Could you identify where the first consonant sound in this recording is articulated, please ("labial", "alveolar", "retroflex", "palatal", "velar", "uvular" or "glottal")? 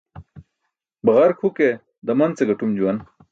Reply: labial